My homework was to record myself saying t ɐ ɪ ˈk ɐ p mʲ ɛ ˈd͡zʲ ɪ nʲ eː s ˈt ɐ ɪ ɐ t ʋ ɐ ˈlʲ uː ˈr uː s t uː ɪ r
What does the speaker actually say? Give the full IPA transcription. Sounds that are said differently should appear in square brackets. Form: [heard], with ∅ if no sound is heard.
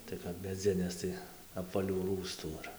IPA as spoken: t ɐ ɪ ˈk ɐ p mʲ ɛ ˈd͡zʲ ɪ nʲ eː s ˈt ɐ ɪ ɐ [p] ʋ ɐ ˈlʲ uː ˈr uː s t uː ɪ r